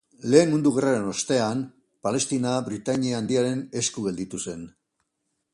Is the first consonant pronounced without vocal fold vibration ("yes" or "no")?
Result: no